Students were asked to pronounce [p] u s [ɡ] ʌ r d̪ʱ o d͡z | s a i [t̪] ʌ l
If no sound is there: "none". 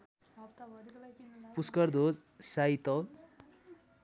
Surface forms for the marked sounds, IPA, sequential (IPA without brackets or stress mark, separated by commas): p, k, t̪